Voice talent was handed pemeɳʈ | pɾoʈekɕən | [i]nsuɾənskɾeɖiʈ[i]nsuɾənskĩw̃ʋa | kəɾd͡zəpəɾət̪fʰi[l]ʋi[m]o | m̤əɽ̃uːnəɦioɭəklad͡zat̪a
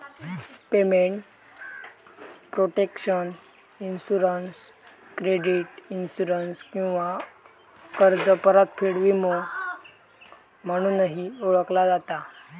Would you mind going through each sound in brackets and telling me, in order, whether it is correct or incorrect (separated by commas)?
correct, correct, incorrect, correct